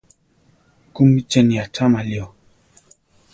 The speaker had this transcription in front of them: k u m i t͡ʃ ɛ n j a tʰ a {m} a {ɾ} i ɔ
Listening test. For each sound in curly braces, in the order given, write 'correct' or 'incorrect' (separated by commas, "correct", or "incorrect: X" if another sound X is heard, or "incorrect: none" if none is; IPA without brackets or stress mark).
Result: correct, incorrect: l